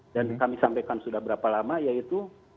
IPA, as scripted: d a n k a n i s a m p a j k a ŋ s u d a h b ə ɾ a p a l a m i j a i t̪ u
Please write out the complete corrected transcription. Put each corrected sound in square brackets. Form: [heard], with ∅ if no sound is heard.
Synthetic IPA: d a n k a [m] i s a m p a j k a [n] s u d a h b ə ɾ a p a l a m [a] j a i t̪ u